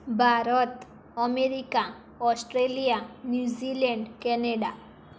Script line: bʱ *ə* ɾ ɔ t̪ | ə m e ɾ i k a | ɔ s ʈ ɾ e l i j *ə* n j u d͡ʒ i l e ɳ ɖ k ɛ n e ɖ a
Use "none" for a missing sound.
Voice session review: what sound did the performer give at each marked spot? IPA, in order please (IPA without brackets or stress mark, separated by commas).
a, a